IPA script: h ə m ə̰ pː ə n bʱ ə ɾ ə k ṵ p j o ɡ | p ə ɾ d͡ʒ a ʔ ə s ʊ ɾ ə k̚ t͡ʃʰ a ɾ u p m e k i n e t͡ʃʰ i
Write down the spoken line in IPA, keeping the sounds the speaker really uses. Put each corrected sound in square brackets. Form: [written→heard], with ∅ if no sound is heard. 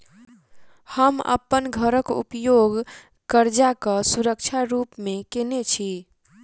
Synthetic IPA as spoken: h ə m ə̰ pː ə n [bʱ→ɡʱ] ə ɾ ə k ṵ p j o ɡ | [p→k] ə ɾ d͡ʒ a [ʔ→k] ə s [ʊ→u] ɾ ə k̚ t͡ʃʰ a ɾ u p m e k [i→e] n e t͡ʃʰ i